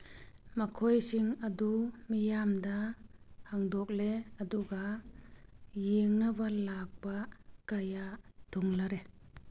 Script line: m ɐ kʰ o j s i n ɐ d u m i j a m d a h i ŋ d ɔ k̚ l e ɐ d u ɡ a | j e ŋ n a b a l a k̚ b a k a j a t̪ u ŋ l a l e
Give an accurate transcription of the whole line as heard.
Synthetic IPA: m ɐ kʰ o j s i ŋ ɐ d u m i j a m d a h a ŋ d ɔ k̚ l e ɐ d u ɡ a | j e ŋ n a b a l a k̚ b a k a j a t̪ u ŋ l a ɾ e